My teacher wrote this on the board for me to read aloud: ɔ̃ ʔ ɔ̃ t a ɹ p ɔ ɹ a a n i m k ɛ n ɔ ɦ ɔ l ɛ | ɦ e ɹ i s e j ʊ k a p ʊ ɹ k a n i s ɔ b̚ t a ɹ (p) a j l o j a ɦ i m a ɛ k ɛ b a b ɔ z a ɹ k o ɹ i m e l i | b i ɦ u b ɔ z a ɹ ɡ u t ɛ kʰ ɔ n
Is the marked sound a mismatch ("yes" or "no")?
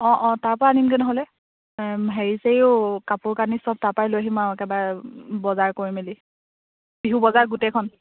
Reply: no